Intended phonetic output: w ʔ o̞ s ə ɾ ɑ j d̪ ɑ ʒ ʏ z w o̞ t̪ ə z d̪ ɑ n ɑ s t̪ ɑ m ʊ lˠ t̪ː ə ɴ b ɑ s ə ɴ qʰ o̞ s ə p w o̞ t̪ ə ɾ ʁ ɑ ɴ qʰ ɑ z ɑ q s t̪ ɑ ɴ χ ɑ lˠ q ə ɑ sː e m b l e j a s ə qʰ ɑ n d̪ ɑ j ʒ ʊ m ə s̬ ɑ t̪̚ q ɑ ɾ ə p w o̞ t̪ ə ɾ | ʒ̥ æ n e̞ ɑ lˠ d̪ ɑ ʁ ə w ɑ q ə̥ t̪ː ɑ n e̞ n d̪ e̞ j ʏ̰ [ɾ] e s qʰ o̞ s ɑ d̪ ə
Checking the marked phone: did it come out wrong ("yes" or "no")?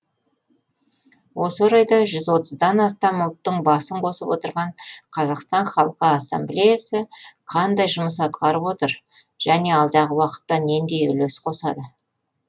yes